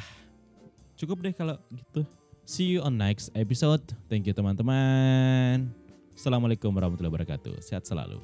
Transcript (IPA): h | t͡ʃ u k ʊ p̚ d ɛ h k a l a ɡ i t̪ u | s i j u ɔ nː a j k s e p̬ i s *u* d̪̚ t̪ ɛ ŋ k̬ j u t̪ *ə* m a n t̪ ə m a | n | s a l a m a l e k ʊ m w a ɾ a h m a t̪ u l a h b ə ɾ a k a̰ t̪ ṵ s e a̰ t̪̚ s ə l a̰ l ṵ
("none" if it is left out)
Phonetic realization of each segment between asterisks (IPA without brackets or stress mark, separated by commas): o, ə